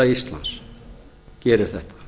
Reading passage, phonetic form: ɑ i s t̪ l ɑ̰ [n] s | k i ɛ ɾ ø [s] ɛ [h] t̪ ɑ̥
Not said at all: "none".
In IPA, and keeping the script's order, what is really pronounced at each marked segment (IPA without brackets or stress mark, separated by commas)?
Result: n, θ, h